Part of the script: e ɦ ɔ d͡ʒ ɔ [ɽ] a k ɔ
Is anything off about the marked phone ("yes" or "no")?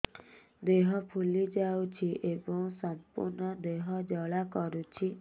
yes